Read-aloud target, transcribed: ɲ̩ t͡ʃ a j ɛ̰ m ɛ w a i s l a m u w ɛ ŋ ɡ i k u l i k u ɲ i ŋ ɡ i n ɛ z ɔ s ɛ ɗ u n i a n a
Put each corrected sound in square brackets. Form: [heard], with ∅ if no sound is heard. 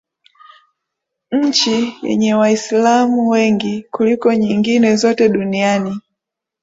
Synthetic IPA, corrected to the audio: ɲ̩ t͡ʃ [i] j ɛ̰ [ɲ] ɛ w a i s l a m u w ɛ ŋ ɡ i k u l i k [ɔ] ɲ i ŋ ɡ i n ɛ z ɔ [t] ɛ ɗ u n i a n [i]